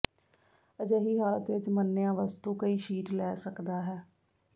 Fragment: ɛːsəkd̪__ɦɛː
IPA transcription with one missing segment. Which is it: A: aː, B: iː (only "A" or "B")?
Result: A